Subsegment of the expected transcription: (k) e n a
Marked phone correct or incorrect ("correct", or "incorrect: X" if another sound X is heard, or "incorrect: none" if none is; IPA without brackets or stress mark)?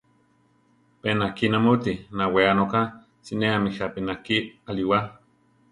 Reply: incorrect: p